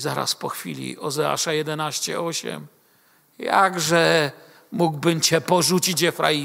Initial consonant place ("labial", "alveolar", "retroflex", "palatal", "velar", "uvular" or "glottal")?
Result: alveolar